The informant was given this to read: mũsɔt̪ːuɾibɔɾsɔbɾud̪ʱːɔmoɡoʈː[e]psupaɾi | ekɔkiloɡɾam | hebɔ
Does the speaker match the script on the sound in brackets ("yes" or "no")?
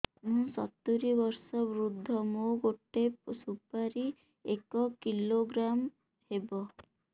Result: yes